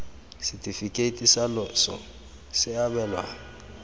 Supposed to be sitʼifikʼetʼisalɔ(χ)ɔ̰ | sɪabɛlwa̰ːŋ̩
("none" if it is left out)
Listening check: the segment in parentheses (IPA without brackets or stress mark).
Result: s